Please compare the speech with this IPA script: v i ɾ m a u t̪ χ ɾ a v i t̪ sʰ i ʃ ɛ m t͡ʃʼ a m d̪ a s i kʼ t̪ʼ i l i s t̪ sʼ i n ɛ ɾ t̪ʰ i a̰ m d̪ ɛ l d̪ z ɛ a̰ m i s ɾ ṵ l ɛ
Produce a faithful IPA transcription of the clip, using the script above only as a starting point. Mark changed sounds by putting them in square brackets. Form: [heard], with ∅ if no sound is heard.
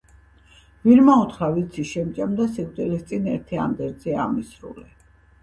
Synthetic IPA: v i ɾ m a u t̪ χ ɾ a v i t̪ sʰ i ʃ ɛ m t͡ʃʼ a m d̪ a s i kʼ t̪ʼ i l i s t̪ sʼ i n ɛ ɾ t̪ʰ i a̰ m d̪ ɛ [ɾ] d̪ z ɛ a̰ m i s ɾ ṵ l ɛ

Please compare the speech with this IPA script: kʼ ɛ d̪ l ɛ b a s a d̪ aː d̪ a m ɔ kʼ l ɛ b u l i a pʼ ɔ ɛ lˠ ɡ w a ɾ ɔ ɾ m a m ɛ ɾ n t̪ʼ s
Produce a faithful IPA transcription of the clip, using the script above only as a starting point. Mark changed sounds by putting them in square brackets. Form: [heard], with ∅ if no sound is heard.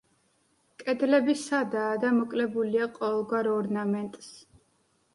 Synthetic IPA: kʼ ɛ d̪ l ɛ b [i] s a d̪ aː d̪ a m ɔ kʼ l ɛ b u l i a [qʼ] ɔ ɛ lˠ ɡ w a ɾ ɔ ɾ [n] a m ɛ [∅] n t̪ʼ s

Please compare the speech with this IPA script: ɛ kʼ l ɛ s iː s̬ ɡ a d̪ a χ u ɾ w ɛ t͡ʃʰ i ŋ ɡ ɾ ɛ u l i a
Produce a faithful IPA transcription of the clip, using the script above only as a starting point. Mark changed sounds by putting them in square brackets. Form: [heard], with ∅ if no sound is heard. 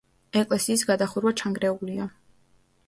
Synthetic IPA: ɛ kʼ l ɛ s iː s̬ ɡ a d̪ a χ u ɾ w [a] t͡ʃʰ [a] ŋ ɡ ɾ ɛ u l i a

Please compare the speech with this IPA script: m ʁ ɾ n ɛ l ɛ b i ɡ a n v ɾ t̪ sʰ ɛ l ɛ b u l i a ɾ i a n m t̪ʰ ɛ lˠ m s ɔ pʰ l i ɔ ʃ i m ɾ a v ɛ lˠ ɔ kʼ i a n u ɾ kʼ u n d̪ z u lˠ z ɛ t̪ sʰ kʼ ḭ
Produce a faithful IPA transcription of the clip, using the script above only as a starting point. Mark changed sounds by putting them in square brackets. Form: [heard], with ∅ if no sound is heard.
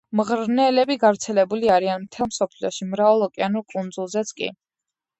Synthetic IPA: m ʁ ɾ n ɛ l ɛ b i ɡ a [∅] v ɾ t̪ sʰ ɛ l ɛ b u l i a ɾ i a n m t̪ʰ ɛ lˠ m s ɔ pʰ l i ɔ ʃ i m ɾ a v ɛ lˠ ɔ kʼ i a n u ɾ kʼ u n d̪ z u lˠ z ɛ t̪ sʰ kʼ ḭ

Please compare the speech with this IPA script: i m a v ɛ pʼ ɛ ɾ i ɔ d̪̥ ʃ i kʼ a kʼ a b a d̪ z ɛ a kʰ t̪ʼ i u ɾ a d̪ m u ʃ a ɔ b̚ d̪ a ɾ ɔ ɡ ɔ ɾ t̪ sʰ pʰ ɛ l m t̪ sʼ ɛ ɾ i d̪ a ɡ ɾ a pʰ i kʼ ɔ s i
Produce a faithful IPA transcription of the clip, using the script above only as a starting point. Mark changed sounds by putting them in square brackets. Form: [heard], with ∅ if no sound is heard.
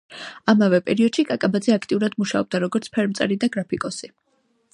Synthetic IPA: [a] m a v ɛ pʼ ɛ ɾ i ɔ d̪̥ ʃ i kʼ a kʼ a b a d̪ z ɛ a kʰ t̪ʼ i u ɾ a d̪ m u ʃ a ɔ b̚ d̪ a ɾ ɔ ɡ ɔ ɾ t̪ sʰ pʰ ɛ [ɾ] m t̪ sʼ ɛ ɾ i d̪ a ɡ ɾ a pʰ i kʼ ɔ s i

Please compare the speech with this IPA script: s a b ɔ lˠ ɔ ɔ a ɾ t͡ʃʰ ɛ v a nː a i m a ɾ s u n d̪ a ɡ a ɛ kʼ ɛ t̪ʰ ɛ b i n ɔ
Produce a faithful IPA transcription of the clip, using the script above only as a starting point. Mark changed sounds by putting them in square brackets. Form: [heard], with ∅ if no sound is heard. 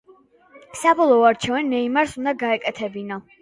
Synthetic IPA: s a b ɔ lˠ ɔ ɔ a ɾ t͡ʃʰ ɛ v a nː [ɛ] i m a ɾ s u n d̪ a ɡ a ɛ kʼ ɛ t̪ʰ ɛ b i n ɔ

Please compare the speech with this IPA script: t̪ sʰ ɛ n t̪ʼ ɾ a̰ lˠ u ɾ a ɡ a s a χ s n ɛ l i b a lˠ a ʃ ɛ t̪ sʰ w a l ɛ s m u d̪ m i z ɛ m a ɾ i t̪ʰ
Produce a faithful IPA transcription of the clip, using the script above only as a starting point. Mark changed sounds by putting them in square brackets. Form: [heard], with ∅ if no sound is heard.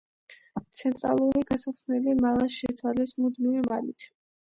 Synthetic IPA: t̪ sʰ ɛ n t̪ʼ ɾ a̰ lˠ u ɾ [i] ɡ a s a χ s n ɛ l i [m] a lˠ a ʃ ɛ t̪ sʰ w a l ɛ s m u d̪ m i [v] ɛ m a [l] i t̪ʰ

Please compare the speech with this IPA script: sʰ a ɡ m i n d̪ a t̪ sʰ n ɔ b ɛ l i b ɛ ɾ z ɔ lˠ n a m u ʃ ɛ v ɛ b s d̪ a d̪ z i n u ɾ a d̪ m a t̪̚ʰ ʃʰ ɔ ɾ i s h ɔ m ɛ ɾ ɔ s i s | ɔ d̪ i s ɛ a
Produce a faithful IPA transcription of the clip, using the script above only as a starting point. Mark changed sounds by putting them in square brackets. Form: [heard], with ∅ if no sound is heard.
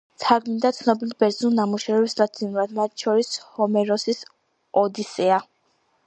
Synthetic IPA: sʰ a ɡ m i n d̪ a t̪ sʰ n ɔ b [i] l i b ɛ ɾ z [u] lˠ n a m u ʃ ɛ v ɛ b s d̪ a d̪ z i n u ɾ a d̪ m a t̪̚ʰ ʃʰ ɔ ɾ i s h ɔ m ɛ ɾ ɔ s i s | ɔ d̪ i s ɛ a

